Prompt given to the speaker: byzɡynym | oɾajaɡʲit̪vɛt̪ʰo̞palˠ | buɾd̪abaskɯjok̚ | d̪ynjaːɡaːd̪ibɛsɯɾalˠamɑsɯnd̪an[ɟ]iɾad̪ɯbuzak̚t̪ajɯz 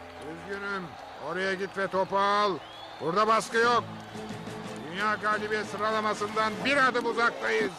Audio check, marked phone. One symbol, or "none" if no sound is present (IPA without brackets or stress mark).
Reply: b